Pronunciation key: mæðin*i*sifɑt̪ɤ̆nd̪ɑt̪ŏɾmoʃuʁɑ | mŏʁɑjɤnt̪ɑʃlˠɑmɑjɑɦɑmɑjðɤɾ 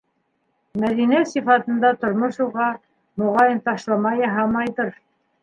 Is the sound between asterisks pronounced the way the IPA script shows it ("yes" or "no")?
no